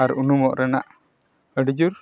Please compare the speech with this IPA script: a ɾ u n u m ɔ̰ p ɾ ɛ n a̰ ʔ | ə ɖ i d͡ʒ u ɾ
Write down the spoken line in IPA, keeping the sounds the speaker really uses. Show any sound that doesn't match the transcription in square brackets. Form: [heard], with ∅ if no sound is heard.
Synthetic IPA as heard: a ɾ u n u m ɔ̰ [ʔ] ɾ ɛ n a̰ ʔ | ə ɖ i d͡ʒ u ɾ